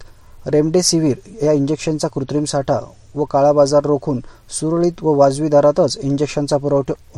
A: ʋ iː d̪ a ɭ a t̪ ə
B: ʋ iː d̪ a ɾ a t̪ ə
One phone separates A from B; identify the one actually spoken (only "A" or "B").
B